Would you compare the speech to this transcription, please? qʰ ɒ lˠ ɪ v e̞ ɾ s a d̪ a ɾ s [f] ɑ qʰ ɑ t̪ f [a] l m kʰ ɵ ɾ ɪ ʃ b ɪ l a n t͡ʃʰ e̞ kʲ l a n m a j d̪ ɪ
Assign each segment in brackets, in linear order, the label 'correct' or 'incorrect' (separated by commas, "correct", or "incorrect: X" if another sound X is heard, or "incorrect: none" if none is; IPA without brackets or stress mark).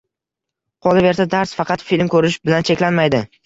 correct, incorrect: i